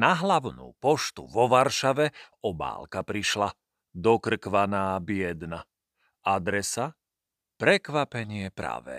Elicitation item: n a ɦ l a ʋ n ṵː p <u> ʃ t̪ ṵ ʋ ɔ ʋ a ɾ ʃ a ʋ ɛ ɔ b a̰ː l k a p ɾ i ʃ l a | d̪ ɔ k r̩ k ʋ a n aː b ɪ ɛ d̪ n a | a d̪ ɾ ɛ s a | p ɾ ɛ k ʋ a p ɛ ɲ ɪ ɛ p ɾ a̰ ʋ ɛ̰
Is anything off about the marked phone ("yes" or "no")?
yes